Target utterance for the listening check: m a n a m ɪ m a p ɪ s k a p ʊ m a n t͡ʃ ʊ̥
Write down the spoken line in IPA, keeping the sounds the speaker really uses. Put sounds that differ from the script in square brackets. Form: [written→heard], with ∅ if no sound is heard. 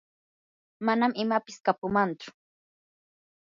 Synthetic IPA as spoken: m a n a m ɪ m a p ɪ s k a p ʊ m a n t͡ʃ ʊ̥